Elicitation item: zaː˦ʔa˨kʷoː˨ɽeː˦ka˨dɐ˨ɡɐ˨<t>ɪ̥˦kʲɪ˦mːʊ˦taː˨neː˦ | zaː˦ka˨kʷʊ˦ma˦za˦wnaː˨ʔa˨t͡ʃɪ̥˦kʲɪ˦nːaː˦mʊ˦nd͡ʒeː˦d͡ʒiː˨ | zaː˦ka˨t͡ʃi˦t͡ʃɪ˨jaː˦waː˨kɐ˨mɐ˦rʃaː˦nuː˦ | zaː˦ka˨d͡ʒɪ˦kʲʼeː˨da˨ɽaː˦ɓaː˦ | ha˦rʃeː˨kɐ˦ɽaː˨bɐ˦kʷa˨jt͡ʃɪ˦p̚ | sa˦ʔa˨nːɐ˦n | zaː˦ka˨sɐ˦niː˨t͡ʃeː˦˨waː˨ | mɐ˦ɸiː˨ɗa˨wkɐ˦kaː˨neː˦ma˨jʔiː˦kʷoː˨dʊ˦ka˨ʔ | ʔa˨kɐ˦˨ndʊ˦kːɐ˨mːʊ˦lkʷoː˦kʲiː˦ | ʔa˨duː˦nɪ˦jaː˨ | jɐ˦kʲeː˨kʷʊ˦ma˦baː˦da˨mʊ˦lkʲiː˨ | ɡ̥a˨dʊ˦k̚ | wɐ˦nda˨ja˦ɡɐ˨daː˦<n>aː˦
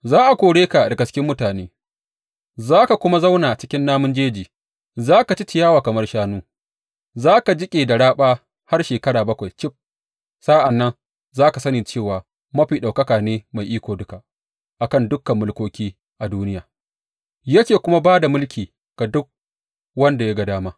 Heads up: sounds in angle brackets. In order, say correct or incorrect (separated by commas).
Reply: incorrect, incorrect